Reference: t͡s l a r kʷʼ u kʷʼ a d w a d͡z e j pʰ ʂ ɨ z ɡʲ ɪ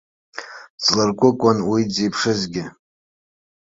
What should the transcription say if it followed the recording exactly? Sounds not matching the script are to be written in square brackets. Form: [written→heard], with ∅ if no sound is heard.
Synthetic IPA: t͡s l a r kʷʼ [u→ʊ] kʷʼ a [d→n] w [a→i] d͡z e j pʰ ʂ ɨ z ɡʲ ɪ